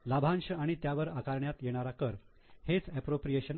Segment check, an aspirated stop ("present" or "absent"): absent